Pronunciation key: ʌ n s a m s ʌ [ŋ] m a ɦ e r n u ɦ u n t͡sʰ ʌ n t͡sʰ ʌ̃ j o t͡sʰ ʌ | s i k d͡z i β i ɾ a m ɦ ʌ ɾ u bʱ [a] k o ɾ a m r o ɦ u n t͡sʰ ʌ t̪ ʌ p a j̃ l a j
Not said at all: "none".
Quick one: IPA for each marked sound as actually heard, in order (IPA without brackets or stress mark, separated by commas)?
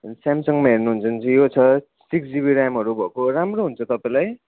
ŋ, ʌ